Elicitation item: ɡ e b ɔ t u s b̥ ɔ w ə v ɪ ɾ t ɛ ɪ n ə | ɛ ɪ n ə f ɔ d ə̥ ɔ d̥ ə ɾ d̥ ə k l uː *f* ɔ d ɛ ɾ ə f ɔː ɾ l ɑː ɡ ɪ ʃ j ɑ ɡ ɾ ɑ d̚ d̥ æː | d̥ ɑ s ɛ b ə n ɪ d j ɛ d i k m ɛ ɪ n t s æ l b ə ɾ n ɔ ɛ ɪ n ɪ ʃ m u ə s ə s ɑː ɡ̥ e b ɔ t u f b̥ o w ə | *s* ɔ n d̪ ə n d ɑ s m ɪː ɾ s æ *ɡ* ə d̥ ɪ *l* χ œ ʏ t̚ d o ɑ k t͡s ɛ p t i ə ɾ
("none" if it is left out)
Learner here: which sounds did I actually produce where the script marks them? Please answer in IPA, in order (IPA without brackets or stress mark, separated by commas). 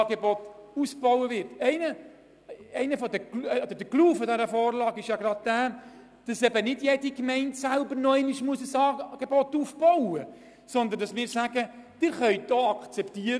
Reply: f, s, ɡ, ɾ